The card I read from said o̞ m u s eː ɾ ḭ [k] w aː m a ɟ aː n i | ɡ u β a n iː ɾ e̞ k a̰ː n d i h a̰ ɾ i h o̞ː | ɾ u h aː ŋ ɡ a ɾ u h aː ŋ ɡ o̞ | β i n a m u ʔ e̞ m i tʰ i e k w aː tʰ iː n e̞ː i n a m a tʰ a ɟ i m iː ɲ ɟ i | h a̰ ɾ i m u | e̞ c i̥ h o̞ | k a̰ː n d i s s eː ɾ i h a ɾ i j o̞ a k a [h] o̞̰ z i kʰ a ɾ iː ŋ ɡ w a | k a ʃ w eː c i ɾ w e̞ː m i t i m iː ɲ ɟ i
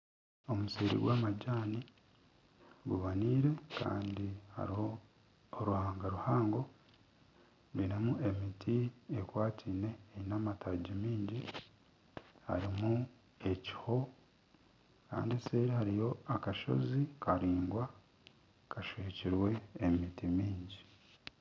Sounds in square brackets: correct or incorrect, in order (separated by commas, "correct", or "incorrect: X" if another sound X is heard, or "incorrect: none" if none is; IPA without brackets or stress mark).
incorrect: ɡ, incorrect: ʃ